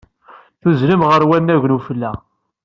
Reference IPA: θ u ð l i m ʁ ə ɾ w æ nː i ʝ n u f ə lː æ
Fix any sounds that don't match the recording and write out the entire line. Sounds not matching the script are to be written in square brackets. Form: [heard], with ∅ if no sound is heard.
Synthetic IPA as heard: θ u [z] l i m ʁ ə ɾ w æ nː [æ] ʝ n u f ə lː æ